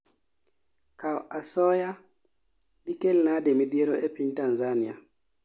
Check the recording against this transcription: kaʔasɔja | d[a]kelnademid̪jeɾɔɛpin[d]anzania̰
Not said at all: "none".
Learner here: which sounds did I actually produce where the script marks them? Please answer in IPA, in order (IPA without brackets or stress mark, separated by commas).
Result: i, t